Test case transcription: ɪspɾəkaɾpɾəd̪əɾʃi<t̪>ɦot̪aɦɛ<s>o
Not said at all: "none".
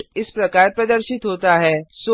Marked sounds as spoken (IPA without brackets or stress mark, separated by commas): t̪, s